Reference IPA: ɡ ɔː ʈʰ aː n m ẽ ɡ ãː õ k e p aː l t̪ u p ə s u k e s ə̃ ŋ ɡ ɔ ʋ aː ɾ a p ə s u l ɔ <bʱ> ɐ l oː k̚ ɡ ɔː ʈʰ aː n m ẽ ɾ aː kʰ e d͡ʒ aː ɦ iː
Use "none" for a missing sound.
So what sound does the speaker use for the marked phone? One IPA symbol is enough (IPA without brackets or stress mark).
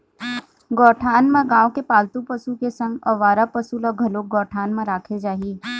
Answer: ɡʱ